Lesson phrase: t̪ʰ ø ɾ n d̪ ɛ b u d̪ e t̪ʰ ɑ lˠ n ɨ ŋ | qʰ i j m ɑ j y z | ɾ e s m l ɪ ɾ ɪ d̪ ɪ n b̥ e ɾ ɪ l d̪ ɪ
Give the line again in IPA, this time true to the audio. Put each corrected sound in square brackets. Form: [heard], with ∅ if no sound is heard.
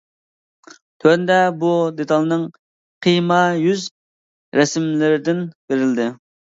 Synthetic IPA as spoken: t̪ʰ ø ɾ n d̪ ɛ b u d̪ e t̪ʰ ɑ lˠ n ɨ ŋ | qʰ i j m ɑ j y z | ɾ [ɛ] s m l ɪ ɾ ɪ d̪ ɪ n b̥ e ɾ ɪ l d̪ ɪ